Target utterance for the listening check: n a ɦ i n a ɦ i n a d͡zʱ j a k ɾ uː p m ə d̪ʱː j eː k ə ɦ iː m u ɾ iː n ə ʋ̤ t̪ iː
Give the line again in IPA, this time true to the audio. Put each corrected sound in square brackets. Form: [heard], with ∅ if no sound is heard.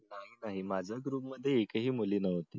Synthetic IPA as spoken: n a ɦ i n a ɦ i [m] a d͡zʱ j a [ɡ] ɾ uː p m ə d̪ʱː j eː k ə ɦ iː m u [l] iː n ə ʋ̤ t̪ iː

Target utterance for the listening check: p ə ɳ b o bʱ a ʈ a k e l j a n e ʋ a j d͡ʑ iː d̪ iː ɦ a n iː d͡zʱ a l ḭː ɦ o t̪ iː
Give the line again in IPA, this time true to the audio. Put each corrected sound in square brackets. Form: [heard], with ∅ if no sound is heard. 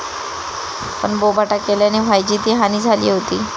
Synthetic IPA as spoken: p ə ɳ b o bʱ a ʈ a k e l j a n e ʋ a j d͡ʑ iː [t̪] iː ɦ a n iː d͡zʱ a l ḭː ɦ o t̪ iː

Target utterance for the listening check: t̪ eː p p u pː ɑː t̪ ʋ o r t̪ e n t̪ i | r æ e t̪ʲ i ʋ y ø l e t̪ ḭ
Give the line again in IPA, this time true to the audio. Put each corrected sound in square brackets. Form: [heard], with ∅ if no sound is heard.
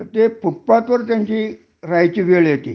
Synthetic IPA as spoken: t̪ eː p p u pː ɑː t̪ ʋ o r t̪ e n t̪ i | r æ [i] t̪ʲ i ʋ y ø l e t̪ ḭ

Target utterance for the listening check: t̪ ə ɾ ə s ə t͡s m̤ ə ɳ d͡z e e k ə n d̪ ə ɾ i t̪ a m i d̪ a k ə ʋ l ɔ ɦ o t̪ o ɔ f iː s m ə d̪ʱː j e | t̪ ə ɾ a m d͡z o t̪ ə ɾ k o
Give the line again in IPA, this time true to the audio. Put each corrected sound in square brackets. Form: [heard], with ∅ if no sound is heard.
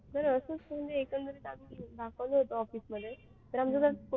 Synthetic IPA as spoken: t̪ ə ɾ ə s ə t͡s m̤ ə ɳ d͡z e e k ə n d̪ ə ɾ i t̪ a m i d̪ a k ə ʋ l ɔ ɦ o t̪ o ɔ f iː s m ə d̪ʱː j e | t̪ ə ɾ a m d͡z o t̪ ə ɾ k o

